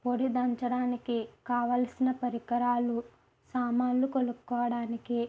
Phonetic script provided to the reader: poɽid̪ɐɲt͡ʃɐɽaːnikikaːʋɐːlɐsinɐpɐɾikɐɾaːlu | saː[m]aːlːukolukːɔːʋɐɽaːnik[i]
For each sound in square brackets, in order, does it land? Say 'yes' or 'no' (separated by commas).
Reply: yes, yes